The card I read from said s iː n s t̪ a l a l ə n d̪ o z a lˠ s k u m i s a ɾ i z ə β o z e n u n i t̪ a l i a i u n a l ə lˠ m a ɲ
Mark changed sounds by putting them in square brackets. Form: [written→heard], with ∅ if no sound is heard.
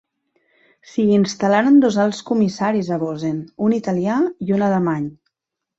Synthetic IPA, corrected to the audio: s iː n s t̪ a l a [l→ɾ] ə n d̪ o z a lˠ s k u m i s a ɾ i z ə β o z e n u n i t̪ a l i a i u n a l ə [lˠ→∅] m a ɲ

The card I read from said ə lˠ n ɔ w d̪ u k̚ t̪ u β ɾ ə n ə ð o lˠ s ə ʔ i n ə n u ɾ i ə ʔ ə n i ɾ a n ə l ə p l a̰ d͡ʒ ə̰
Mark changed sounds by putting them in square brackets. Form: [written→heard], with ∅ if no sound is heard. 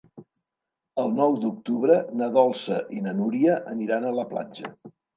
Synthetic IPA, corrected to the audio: ə lˠ n ɔ w d̪ u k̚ t̪ u β ɾ ə n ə ð [o→ɔ] lˠ s ə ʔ i n ə n u ɾ i ə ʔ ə n i ɾ a n ə l ə p l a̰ d͡ʒ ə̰

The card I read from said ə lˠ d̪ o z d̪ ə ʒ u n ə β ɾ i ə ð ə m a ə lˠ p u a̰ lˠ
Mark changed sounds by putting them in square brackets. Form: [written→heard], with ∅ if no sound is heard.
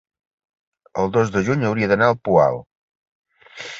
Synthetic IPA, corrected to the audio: ə lˠ d̪ o z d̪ ə ʒ u [n→ɲ] ə [β→w] ɾ i ə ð ə [m→n] a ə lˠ p u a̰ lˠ

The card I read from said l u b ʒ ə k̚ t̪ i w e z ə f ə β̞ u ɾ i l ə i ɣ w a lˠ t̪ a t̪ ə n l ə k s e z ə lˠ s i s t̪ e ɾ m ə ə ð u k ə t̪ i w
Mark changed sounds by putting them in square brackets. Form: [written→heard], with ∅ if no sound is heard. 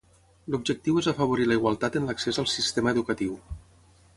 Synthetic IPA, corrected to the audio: l u b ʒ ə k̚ t̪ i w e z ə f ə β̞ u ɾ i l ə i ɣ w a lˠ t̪ a t̪ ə n l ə k s e z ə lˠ s i s t̪ e [ɾ→∅] m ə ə ð u k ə t̪ i w

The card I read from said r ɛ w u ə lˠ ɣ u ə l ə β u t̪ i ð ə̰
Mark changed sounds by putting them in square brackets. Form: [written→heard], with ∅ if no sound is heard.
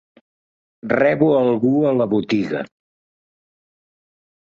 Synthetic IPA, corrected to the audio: r ɛ [w→β] u ə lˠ ɣ u ə l ə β u t̪ i [ð→ɣ] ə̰

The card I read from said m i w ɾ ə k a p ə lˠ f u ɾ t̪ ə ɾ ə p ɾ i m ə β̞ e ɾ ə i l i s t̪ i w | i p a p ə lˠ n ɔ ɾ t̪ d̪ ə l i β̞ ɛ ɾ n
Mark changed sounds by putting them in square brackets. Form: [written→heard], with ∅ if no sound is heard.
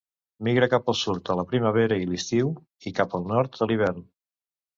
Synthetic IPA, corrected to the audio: m i [w→ɣ] ɾ ə k a p ə lˠ [f→s] u ɾ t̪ ə [ɾ→l] ə p ɾ i m ə β̞ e ɾ ə i l i s t̪ i w | i [p→k] a p ə lˠ n ɔ ɾ t̪ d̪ ə l i β̞ ɛ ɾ n

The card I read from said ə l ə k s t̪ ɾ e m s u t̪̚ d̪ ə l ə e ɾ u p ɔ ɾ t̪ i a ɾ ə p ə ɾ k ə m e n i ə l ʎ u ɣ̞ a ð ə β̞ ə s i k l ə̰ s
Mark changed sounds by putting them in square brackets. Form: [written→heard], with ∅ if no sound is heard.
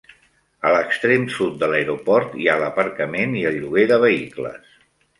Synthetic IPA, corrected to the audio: ə l ə k s t̪ ɾ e m s u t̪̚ d̪ ə l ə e ɾ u p ɔ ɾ t̪ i a [ɾ→l] ə p ə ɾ k ə m e n i ə l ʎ u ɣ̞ [a→e] ð ə β̞ ə [s→∅] i k l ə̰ s

